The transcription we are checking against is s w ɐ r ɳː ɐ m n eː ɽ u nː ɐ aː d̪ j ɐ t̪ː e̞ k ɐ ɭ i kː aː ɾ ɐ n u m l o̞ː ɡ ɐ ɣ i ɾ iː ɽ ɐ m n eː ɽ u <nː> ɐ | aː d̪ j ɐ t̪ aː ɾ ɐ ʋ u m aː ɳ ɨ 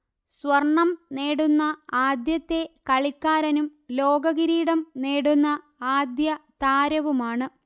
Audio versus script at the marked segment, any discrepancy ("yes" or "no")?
no